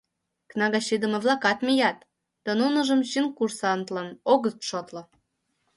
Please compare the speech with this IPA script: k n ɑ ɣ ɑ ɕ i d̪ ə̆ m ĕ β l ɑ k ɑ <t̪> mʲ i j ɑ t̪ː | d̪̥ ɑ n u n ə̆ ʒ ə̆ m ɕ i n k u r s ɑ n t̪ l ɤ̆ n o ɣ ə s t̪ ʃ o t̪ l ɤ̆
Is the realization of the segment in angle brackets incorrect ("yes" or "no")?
no